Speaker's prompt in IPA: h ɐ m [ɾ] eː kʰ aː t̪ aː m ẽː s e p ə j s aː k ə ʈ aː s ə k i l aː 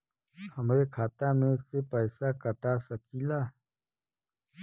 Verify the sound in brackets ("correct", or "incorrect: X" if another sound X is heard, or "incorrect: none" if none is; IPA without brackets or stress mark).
correct